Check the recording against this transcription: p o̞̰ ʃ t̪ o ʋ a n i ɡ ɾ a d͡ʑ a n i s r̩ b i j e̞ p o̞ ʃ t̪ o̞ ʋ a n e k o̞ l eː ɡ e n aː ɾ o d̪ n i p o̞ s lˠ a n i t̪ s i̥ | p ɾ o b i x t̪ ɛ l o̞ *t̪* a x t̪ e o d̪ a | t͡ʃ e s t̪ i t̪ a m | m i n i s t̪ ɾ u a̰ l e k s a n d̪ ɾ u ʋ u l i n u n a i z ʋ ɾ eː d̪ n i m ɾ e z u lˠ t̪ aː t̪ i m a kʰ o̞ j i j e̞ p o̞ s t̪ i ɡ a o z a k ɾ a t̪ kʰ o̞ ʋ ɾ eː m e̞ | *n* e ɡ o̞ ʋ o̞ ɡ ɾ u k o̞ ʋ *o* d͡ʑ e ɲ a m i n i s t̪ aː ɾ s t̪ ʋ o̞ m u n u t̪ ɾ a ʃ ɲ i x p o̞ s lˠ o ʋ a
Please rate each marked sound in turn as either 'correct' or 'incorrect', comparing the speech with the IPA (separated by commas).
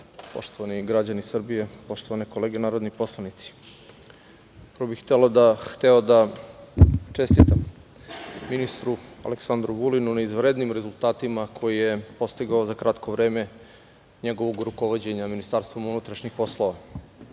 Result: incorrect, incorrect, correct